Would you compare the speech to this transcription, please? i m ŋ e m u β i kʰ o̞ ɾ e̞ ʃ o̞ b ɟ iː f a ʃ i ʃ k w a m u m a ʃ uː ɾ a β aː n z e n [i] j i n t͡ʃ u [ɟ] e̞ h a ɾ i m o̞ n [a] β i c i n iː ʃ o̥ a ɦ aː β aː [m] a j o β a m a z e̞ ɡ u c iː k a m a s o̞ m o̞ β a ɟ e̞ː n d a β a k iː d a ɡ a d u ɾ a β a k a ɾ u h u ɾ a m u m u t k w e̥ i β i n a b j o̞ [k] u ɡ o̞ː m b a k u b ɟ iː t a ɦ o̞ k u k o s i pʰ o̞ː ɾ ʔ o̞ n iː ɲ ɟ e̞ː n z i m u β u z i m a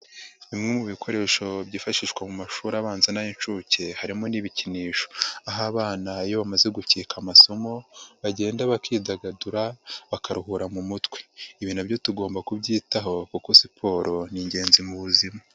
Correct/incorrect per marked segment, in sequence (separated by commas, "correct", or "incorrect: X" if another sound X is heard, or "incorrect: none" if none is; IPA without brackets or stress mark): incorrect: a, incorrect: c, incorrect: i, incorrect: n, incorrect: t